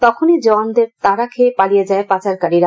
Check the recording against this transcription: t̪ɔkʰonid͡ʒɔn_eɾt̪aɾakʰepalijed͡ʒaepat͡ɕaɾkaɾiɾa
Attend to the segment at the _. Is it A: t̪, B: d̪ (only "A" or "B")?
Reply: B